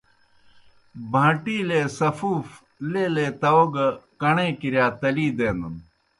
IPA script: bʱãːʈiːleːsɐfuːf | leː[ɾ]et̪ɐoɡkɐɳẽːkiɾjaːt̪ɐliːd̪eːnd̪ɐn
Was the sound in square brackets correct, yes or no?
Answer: no